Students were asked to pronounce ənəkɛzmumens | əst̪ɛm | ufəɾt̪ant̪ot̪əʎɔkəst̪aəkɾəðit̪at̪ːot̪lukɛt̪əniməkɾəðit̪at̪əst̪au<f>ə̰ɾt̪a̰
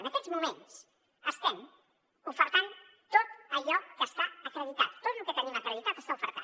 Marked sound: correct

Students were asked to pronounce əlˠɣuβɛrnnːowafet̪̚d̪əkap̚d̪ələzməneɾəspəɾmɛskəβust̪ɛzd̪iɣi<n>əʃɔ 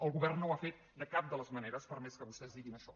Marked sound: correct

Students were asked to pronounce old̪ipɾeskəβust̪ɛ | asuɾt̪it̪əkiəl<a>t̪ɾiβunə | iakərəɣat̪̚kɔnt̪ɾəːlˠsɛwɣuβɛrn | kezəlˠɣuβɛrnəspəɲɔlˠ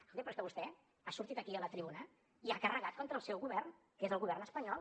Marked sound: incorrect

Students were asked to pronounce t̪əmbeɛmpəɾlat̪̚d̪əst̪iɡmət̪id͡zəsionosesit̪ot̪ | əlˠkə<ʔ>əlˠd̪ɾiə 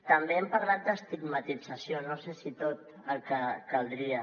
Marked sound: incorrect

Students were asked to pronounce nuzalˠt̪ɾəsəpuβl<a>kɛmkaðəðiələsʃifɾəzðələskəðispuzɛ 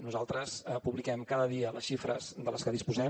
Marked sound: incorrect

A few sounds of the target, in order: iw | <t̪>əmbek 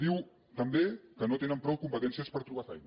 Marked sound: correct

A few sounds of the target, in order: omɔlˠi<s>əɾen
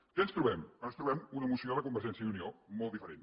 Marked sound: incorrect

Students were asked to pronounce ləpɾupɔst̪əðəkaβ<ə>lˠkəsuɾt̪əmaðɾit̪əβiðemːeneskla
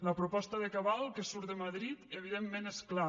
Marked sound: incorrect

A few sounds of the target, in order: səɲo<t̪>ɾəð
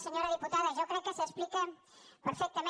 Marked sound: incorrect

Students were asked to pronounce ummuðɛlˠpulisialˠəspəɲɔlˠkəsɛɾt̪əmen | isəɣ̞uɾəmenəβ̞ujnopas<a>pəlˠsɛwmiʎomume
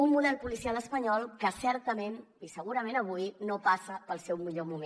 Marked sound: incorrect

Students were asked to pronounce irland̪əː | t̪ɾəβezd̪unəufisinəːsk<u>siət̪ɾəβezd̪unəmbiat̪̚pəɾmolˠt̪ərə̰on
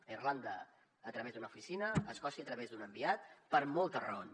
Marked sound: incorrect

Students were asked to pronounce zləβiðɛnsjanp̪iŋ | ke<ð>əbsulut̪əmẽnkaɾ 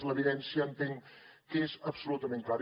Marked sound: incorrect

